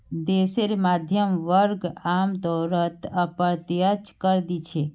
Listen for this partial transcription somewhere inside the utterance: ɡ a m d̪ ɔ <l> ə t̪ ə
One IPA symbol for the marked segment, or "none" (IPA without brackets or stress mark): ɾ